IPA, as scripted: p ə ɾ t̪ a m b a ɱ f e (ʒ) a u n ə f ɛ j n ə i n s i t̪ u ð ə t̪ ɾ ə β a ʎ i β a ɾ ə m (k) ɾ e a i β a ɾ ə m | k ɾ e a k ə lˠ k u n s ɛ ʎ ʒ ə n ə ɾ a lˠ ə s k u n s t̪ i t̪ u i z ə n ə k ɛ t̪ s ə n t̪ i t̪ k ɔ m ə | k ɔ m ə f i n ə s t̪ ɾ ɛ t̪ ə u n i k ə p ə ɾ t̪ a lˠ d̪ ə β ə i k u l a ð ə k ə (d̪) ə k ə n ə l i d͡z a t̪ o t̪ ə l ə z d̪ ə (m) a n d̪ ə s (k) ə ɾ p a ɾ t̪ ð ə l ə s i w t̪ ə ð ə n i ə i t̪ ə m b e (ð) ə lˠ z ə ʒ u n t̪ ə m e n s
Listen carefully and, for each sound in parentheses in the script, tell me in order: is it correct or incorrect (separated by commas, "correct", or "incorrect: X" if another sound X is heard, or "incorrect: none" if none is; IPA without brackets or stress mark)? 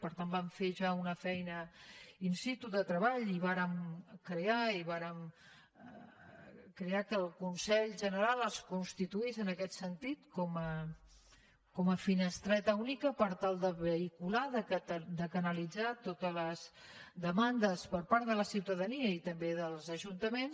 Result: correct, correct, correct, correct, incorrect: p, correct